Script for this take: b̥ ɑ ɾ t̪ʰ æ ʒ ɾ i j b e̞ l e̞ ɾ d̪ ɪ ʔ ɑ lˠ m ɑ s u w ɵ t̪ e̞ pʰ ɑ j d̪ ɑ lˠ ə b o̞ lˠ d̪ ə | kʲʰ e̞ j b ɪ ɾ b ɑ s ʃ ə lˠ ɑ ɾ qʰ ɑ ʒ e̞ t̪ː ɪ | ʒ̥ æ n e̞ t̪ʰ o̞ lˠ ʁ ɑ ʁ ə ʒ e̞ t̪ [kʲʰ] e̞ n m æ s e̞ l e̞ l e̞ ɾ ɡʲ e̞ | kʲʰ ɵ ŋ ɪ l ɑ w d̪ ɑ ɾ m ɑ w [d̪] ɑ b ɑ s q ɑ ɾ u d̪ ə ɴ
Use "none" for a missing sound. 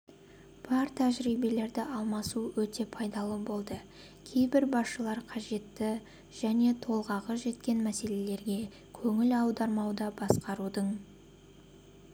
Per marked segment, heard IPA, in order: kʲ, d̪

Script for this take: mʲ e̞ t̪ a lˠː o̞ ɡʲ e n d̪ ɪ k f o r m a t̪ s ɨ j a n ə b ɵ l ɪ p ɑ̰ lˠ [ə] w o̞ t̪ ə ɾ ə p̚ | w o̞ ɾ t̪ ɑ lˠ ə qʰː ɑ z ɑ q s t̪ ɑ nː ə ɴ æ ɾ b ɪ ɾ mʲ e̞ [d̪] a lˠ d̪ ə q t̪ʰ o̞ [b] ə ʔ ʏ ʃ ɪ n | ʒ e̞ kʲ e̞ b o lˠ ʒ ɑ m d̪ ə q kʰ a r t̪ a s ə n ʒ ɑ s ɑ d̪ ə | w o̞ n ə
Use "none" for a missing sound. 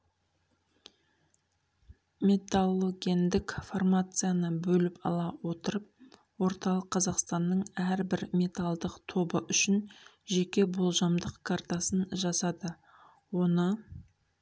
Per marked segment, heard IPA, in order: ɑ, t̪, b

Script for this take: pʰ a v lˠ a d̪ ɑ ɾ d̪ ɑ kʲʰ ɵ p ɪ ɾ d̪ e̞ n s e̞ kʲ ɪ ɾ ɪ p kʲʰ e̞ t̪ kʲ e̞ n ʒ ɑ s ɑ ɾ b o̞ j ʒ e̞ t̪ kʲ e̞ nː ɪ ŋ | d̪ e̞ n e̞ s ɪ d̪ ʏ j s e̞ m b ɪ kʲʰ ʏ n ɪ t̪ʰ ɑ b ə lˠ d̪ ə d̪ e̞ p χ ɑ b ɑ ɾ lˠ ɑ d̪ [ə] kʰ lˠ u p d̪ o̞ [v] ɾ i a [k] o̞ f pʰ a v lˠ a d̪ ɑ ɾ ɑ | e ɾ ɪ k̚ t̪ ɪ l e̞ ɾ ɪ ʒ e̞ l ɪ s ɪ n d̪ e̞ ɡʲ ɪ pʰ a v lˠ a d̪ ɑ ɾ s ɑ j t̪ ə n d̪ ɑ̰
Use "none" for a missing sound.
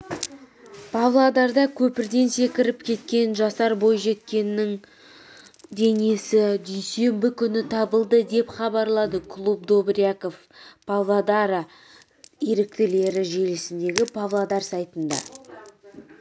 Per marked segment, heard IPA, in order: ə, b, k

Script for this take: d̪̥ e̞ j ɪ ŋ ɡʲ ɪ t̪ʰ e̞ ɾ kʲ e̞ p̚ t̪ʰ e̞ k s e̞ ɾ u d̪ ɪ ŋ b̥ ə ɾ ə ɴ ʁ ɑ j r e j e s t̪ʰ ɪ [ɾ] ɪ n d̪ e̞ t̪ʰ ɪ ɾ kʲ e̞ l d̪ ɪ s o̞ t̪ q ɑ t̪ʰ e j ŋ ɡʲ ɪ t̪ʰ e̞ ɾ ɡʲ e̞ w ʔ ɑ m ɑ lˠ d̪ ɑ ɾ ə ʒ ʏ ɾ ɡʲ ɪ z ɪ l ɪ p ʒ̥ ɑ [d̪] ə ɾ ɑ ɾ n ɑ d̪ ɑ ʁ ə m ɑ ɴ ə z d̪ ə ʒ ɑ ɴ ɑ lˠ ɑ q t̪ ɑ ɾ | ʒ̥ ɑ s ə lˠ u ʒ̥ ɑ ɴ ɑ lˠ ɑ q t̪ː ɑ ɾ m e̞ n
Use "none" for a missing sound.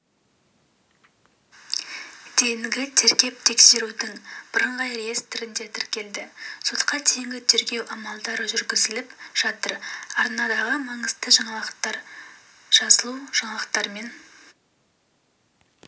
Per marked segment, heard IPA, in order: ɾ, t̪

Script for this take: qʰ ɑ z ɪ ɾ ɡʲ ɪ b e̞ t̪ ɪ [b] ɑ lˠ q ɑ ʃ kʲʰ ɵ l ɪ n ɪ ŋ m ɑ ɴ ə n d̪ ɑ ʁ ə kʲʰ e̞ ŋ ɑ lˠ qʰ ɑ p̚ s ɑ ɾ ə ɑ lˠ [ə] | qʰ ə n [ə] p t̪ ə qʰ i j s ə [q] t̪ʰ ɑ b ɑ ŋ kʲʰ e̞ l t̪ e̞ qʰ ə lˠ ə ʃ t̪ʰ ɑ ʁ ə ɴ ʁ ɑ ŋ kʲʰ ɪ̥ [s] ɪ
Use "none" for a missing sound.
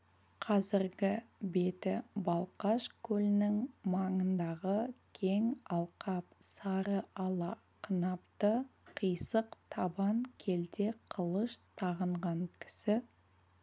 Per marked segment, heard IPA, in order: b, ɑ, ɑ, q, s

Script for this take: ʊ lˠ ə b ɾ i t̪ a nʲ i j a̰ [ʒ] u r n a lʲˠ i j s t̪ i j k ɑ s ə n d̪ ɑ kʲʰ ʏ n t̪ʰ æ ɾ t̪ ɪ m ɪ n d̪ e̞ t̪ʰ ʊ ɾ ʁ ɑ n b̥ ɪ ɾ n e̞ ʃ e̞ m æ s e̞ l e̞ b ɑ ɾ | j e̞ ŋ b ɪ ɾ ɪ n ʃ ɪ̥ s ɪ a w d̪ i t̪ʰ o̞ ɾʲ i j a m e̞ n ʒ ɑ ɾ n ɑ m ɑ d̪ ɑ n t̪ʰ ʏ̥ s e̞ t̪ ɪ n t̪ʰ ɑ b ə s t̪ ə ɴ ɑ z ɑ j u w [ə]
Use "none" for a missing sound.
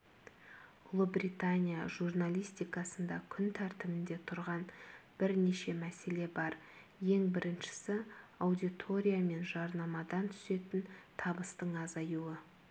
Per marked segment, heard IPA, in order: ʒ, ə

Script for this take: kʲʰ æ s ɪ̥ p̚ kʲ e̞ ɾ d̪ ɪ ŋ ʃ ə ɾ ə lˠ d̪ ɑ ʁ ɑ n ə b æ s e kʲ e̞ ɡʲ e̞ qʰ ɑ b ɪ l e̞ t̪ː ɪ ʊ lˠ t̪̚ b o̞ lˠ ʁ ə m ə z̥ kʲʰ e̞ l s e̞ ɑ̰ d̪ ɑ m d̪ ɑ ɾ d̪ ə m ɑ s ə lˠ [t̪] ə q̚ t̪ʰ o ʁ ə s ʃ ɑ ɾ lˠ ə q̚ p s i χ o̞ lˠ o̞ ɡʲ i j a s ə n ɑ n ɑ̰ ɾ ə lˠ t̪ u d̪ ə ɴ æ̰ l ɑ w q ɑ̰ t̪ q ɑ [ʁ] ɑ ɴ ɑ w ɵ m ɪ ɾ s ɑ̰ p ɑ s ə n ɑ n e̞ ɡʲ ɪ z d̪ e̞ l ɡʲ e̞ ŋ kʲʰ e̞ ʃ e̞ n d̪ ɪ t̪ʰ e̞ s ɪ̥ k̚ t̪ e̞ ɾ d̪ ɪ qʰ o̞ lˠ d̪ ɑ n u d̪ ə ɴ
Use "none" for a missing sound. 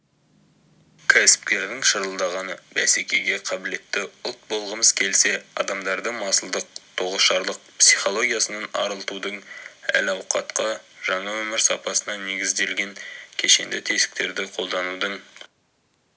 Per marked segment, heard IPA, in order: d̪, ʒ

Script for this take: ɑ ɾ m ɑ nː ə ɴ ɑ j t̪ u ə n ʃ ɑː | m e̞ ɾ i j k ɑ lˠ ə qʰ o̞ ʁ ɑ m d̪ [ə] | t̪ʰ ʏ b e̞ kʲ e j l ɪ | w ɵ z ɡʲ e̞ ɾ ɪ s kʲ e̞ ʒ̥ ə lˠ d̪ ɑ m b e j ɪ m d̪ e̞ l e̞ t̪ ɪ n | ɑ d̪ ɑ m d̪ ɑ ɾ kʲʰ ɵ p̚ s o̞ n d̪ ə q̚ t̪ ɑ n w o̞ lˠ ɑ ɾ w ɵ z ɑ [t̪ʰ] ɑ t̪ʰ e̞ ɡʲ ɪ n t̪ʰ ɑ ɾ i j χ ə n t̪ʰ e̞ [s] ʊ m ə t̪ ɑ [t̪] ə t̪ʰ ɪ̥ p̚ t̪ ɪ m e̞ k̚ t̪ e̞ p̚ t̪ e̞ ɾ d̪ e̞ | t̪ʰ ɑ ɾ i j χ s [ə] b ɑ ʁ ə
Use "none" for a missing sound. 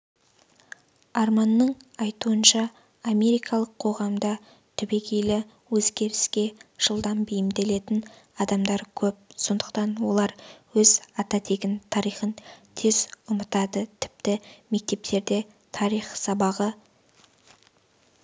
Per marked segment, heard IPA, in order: ɑ, t̪, z, d̪, ɑ

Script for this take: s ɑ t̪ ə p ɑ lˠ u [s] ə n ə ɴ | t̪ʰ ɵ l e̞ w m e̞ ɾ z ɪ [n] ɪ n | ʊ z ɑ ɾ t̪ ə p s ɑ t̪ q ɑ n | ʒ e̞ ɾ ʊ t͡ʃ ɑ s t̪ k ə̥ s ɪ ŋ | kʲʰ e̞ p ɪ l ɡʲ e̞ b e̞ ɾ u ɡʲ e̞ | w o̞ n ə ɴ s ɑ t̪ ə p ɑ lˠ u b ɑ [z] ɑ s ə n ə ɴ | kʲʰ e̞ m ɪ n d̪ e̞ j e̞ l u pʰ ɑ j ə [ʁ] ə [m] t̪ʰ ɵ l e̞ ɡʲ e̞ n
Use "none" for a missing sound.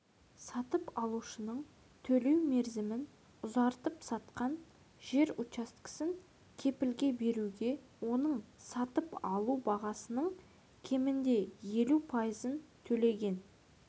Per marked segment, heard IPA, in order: ʃ, m, ʁ, z, n

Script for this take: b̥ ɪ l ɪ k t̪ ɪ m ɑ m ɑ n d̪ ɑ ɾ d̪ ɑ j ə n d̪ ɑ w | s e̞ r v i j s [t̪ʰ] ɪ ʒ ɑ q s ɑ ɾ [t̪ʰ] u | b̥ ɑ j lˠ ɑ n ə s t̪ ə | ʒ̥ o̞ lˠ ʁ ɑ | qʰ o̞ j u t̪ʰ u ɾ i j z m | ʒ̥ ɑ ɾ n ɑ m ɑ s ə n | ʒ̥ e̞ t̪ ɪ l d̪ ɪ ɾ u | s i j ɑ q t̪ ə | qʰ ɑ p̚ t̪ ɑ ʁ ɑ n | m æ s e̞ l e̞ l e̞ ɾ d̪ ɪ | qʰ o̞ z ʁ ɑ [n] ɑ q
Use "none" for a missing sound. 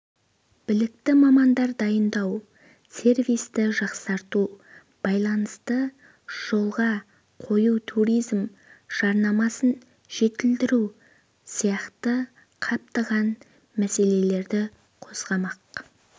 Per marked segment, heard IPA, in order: t̪, t̪, m

